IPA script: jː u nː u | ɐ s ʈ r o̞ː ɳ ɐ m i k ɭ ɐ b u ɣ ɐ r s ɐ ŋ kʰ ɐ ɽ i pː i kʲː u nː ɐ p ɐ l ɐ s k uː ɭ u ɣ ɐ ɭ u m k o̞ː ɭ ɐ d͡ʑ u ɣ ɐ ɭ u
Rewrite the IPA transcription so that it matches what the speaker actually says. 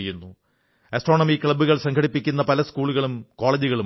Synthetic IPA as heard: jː u nː u | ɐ s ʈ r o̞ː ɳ ɐ m i k ɭ ɐ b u ɣ ɐ ɭ s ɐ ŋ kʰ ɐ ɽ i pː i kʲː u nː ɐ p ɐ l ɐ s k uː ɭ u ɣ ɐ ɭ u m k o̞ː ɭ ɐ d͡ʑ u ɣ ɐ ɭ u